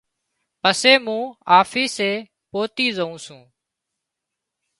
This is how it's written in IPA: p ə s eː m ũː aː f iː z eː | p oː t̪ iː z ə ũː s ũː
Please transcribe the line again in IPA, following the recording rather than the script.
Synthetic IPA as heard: p ə s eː m ũː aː f iː s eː | p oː t̪ iː z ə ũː s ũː